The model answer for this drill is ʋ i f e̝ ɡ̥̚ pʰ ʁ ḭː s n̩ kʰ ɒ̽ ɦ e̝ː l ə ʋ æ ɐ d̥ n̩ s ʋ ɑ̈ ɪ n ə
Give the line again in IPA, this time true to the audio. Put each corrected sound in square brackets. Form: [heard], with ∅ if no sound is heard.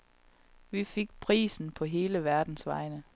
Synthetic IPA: ʋ i f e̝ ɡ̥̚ pʰ ʁ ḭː s n̩ [pʰ] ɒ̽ ɦ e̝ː l ə ʋ æ ɐ d̥ n̩ s ʋ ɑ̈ ɪ n ə